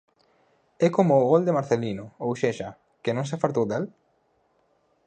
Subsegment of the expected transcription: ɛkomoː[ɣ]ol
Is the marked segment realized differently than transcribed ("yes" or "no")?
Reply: no